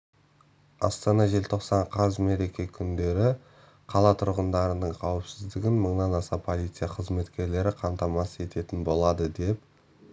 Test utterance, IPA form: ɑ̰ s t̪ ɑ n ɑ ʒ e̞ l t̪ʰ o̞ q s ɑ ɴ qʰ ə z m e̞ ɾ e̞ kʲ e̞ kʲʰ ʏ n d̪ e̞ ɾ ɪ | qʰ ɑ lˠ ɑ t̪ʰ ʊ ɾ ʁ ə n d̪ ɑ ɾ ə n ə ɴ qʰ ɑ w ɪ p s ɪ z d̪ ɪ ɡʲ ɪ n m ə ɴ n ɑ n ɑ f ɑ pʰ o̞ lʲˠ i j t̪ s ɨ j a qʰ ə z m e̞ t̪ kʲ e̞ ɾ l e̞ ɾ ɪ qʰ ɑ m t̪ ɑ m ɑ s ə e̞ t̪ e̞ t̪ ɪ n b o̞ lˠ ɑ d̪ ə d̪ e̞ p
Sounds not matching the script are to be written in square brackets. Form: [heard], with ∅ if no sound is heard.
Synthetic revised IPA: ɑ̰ s t̪ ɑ n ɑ ʒ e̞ l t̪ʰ o̞ q s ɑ ɴ qʰ [ɑ] z m e̞ ɾ e̞ kʲ e̞ kʲʰ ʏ n d̪ e̞ ɾ ɪ | qʰ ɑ lˠ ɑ t̪ʰ ʊ ɾ ʁ ə n d̪ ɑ ɾ ə n ə ɴ qʰ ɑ w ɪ p s ɪ z d̪ ɪ ɡʲ ɪ n m ə ɴ n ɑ n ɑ [s] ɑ pʰ o̞ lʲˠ i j t̪ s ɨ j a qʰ ə z m e̞ t̪ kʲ e̞ ɾ l e̞ ɾ ɪ qʰ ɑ m t̪ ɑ m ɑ s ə e̞ t̪ e̞ t̪ ɪ n b o̞ lˠ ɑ d̪ ə d̪ e̞ p

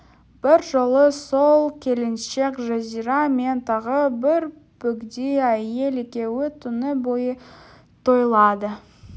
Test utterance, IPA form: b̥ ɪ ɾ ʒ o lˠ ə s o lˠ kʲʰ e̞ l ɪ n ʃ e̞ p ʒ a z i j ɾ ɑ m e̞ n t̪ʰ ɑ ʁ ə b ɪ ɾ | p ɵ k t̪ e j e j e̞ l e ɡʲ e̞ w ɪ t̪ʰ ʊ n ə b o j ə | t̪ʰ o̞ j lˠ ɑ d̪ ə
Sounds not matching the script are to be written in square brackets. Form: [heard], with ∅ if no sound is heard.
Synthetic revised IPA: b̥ ɪ ɾ ʒ o lˠ ə s o lˠ kʲʰ e̞ l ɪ n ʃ e̞ [k] ʒ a z i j ɾ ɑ m e̞ n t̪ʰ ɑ ʁ ə b ɪ ɾ | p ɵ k [d̪] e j [æ] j e̞ l e [kʲ] e̞ w ɪ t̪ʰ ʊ n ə b o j ə | t̪ʰ o̞ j lˠ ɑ d̪ ə

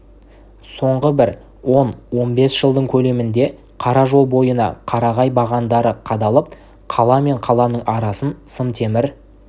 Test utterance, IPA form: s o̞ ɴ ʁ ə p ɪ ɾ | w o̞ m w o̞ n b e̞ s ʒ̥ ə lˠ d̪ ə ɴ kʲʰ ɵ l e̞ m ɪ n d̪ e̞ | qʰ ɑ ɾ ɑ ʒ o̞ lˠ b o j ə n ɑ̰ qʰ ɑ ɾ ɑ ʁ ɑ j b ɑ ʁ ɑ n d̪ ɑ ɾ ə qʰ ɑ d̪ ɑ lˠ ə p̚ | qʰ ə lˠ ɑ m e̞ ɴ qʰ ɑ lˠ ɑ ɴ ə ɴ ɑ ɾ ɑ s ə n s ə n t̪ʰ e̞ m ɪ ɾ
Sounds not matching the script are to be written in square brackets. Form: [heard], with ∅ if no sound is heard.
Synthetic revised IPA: s o̞ ɴ ʁ ə [b] ɪ ɾ | w o̞ [n] w o̞ n b e̞ s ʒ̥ ə lˠ d̪ ə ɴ kʲʰ ɵ l e̞ m ɪ n d̪ e̞ | qʰ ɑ ɾ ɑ ʒ o̞ lˠ b o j ə n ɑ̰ qʰ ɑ ɾ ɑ ʁ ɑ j b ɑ ʁ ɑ n d̪ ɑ ɾ ə qʰ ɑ d̪ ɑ lˠ ə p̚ | qʰ [ɑ] lˠ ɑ m e̞ ɴ qʰ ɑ lˠ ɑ [n] ə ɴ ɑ ɾ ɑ s ə n s ə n t̪ʰ e̞ m ɪ ɾ

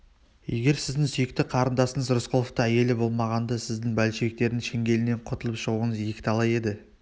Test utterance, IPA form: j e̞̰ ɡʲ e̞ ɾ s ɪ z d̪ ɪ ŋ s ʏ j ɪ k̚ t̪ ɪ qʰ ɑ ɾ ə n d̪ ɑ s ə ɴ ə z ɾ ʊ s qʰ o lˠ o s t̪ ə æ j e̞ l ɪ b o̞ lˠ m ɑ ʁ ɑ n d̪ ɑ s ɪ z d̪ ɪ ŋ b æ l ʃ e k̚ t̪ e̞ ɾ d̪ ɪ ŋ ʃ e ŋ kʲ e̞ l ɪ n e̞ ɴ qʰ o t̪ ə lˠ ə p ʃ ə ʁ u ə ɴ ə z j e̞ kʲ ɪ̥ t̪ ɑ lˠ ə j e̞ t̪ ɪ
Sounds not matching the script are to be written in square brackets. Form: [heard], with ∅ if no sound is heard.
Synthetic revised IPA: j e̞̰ ɡʲ e̞ ɾ s ɪ z d̪ ɪ ŋ s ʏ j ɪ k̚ t̪ ɪ qʰ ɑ ɾ ə n d̪ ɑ s ə ɴ ə z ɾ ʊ s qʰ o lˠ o [f] t̪ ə æ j e̞ l ɪ b o̞ lˠ m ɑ ʁ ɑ n d̪ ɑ s ɪ z d̪ ɪ ŋ b æ l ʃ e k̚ t̪ e̞ ɾ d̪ ɪ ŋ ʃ e ŋ [ɡʲ] e̞ l ɪ n e̞ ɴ qʰ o t̪ ə lˠ ə p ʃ ə ʁ u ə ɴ ə z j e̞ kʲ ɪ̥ t̪ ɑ lˠ [ɑ] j e̞ [d̪] ɪ

